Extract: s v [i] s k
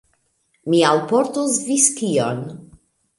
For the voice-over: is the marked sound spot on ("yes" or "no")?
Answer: yes